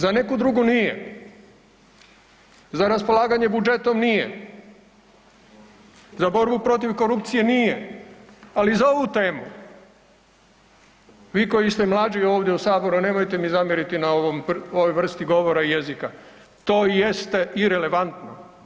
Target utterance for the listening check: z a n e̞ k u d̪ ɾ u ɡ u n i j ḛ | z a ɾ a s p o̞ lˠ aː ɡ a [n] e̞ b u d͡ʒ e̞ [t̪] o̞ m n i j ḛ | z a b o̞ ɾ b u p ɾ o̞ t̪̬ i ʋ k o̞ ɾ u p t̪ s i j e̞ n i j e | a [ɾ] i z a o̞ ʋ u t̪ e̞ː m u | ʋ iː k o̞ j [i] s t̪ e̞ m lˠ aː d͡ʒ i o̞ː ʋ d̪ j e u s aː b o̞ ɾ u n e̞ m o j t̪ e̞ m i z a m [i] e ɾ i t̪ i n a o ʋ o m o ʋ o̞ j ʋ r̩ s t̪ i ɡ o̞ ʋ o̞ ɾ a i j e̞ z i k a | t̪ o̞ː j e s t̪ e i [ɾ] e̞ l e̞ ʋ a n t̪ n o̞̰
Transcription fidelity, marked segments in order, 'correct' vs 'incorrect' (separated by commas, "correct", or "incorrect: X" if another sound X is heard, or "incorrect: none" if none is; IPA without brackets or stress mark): incorrect: ɲ, correct, incorrect: l, correct, incorrect: j, correct